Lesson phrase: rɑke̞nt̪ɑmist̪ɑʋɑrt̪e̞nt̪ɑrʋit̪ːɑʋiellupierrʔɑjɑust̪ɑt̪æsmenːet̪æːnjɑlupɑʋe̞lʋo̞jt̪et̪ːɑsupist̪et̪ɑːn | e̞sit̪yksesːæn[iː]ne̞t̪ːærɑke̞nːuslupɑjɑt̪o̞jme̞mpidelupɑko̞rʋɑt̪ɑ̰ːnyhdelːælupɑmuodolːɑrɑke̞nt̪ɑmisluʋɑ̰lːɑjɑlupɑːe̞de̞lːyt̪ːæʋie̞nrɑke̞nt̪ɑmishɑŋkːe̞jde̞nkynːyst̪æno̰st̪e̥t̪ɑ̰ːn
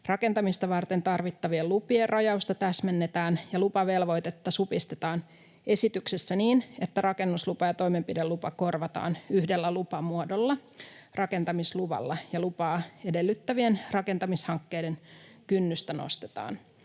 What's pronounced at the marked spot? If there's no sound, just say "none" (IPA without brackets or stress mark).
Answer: iː